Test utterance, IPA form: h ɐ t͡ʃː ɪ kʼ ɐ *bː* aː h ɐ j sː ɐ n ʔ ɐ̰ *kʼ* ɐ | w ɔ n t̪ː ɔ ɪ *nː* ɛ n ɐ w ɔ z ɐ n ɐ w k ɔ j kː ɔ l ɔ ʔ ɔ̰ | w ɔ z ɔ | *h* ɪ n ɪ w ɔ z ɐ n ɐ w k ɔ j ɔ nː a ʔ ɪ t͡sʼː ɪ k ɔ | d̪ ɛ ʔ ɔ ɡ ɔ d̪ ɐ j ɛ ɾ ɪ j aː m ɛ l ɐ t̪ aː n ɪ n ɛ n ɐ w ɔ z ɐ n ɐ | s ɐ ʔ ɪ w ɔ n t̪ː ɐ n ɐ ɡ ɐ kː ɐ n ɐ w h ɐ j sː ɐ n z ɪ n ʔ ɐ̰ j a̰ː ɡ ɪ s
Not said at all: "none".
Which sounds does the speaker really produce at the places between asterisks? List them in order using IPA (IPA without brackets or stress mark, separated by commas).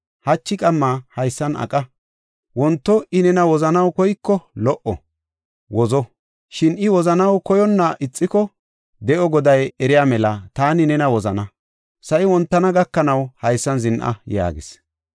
mː, kʼ, n, ʃ